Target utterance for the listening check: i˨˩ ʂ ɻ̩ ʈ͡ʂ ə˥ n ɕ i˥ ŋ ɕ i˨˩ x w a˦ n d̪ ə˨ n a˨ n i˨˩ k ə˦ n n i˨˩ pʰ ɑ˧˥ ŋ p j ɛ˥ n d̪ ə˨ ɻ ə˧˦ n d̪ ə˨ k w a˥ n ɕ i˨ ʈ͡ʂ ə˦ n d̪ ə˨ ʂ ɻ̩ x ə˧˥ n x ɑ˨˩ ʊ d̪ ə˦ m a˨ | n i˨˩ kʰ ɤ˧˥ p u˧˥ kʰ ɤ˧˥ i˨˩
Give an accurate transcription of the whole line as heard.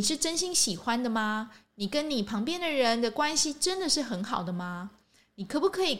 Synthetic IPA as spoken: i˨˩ ʂ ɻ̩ ʈ͡ʂ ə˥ n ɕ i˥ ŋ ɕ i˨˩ x w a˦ n d̪ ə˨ m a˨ n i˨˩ k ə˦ n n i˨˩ pʰ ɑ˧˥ ŋ p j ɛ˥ n d̪ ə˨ ɻ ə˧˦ n d̪ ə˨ k w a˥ n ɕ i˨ ʈ͡ʂ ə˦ n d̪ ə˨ ʂ ɻ̩ x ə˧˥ n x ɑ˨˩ ʊ d̪ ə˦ m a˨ | n i˨˩ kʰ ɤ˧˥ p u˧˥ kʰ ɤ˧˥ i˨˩